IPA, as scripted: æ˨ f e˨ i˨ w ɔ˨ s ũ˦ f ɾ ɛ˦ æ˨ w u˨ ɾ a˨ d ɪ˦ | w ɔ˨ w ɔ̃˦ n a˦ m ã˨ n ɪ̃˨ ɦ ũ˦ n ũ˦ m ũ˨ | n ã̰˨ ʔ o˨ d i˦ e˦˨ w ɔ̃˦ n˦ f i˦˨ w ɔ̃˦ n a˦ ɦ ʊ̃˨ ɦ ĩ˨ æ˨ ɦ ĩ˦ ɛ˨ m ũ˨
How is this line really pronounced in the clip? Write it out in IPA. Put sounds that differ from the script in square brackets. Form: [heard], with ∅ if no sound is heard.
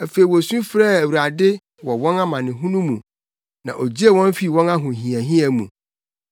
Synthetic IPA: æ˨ f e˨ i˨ w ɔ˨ s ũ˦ f ɾ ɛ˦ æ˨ w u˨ ɾ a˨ d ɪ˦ | w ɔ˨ w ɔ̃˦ n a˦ m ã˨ n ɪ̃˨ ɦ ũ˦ n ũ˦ m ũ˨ | n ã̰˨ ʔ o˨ [d͡ʑ] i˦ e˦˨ w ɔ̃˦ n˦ f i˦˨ w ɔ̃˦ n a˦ ɦ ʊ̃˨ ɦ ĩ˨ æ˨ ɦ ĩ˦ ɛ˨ m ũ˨